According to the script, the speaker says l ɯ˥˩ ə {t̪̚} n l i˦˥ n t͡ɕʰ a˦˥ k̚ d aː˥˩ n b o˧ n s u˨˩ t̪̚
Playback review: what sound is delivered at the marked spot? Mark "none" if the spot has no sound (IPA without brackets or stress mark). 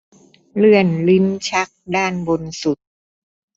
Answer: none